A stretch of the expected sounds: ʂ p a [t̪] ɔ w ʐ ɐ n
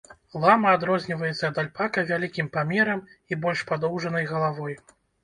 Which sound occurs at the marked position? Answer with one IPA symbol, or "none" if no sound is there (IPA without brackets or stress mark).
d̪